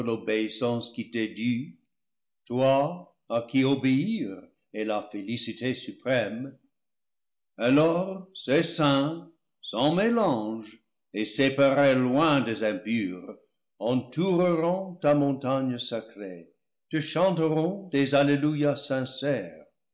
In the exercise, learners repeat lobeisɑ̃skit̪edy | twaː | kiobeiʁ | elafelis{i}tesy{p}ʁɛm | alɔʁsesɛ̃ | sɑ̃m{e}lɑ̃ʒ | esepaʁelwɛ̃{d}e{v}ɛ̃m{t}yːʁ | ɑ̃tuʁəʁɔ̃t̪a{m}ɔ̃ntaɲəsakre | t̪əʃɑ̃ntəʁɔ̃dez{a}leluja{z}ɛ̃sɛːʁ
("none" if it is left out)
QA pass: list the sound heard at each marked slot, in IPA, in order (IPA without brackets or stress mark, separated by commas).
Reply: i, p, e, d, z, p, m, a, s